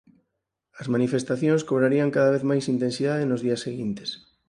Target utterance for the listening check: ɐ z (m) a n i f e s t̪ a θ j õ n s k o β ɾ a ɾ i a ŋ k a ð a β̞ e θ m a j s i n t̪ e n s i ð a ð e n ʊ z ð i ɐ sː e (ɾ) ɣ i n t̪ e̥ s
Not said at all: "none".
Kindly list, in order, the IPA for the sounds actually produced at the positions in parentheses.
m, none

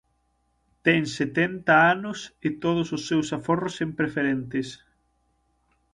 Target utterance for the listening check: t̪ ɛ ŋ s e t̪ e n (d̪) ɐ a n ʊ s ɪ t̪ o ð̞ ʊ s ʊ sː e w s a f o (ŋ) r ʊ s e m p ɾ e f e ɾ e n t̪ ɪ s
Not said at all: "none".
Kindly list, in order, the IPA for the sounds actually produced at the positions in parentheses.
t̪, none

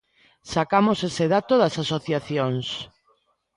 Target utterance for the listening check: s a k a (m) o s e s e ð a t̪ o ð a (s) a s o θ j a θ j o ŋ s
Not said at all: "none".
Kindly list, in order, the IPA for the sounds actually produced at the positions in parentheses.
m, s

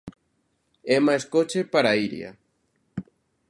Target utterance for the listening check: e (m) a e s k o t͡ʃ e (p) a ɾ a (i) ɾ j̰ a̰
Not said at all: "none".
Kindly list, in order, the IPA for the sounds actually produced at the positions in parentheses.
m, p, i

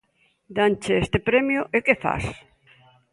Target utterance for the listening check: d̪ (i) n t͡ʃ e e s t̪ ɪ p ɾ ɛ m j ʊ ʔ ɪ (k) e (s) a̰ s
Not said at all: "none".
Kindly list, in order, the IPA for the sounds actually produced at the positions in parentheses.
a, k, f

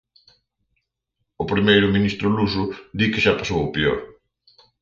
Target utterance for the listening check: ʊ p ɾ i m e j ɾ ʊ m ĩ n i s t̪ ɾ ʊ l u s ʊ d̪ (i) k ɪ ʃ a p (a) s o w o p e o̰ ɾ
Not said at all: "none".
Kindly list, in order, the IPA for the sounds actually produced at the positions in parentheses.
i, a

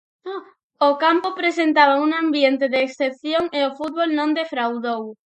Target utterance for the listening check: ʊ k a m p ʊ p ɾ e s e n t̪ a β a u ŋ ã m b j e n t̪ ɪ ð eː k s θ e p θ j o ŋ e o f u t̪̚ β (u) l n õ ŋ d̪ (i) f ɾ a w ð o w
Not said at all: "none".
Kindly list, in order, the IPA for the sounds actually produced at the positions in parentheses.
o, e

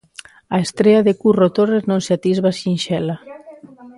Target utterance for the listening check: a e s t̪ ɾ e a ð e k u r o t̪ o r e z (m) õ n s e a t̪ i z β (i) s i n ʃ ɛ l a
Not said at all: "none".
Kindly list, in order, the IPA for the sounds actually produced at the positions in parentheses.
n, a

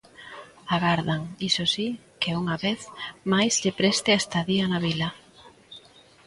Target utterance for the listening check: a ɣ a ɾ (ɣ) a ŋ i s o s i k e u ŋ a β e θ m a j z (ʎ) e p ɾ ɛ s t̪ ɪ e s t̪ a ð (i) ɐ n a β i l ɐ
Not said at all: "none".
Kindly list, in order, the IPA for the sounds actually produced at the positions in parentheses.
ð, ʎ, i

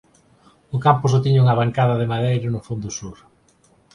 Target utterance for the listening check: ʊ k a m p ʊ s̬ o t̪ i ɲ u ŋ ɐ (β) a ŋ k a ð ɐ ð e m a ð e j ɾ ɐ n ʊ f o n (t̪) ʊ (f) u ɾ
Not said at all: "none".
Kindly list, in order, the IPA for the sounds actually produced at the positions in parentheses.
β, d̪, s

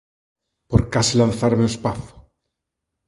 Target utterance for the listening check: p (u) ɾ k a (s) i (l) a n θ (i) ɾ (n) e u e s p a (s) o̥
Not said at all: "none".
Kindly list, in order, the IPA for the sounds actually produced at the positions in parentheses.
o, s, l, a, m, θ

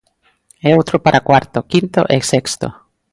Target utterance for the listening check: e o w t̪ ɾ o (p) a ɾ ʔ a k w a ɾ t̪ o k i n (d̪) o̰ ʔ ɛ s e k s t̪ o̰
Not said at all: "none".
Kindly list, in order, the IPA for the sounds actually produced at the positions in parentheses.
p, t̪

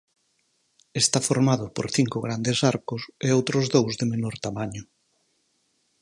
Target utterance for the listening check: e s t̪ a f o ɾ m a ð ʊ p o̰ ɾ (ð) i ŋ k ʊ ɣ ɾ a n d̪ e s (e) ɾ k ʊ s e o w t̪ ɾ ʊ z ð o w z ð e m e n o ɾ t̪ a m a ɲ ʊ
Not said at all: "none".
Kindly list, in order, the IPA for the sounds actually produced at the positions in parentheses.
θ, a

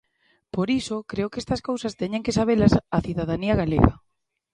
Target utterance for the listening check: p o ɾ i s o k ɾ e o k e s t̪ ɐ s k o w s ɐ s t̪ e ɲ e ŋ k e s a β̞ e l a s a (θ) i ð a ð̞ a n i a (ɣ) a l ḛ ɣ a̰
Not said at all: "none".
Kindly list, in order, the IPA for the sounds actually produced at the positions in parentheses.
θ, ɣ

